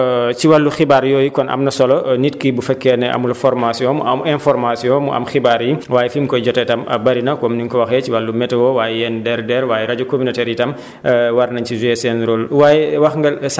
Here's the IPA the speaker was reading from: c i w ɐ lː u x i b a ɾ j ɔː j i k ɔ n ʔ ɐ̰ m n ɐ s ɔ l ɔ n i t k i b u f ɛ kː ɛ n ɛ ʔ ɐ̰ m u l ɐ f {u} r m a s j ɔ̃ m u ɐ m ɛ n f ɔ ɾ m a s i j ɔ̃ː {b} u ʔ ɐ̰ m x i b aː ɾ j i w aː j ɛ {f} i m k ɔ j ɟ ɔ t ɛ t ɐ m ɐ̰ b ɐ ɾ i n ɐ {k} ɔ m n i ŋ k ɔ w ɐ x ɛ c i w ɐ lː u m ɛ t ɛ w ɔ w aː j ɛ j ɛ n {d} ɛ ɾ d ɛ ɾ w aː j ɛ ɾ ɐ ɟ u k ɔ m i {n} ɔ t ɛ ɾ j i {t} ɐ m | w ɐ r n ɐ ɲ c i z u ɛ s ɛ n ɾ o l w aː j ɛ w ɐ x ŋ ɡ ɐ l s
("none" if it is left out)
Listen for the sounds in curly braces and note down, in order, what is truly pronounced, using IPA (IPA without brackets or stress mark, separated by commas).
ɔ, m, f, k, d, n, t